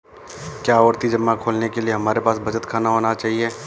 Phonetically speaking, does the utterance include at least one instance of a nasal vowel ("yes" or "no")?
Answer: no